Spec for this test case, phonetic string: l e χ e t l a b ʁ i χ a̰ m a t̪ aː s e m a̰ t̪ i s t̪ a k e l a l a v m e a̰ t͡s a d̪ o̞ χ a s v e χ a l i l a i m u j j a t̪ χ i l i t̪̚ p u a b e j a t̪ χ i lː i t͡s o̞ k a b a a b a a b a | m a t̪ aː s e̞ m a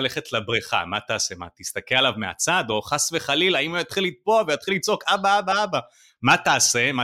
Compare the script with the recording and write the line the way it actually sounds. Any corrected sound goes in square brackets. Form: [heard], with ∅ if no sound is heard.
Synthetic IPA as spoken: l e χ e t l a b ʁ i χ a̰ m a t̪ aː s e m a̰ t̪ i s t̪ a k e l a l a v m e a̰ t͡s a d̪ o̞ χ a s v e χ a l i l a i m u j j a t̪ χ i l i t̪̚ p [o] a [v] e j a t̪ χ i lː i t͡s o̞ k a b a a b a a b a | m a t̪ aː s e̞ m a